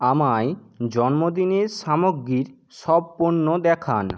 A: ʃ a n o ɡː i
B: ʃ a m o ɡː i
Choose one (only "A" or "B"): B